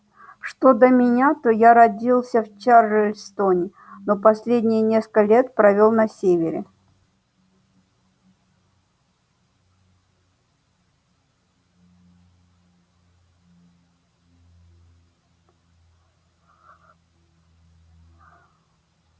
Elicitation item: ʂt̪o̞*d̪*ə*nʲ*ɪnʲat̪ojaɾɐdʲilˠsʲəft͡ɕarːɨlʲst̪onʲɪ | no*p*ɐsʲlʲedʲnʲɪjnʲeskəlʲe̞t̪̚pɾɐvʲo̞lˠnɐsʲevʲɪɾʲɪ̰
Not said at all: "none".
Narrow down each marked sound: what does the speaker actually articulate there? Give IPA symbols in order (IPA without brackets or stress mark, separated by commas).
d̪, mʲ, p